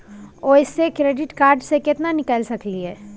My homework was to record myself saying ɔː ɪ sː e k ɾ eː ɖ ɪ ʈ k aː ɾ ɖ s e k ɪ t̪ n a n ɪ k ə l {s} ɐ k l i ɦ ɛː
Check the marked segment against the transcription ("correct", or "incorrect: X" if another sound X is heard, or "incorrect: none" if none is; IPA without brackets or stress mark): correct